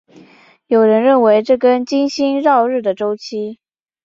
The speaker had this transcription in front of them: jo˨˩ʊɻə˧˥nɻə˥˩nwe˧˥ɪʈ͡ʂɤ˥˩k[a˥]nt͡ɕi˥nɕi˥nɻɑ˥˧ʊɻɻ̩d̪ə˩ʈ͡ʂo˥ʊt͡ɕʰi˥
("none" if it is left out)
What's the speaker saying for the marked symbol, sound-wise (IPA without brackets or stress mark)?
ə˥